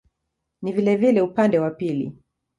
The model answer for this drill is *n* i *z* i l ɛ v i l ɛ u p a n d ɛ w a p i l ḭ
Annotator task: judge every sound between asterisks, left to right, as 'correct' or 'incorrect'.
correct, incorrect: v

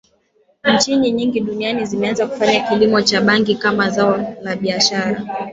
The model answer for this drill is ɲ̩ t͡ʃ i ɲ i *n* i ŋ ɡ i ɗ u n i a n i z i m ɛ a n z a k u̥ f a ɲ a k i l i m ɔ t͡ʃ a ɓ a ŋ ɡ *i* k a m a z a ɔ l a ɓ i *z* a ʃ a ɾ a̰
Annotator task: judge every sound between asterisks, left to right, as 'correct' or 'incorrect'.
incorrect: ɲ, correct, incorrect: none

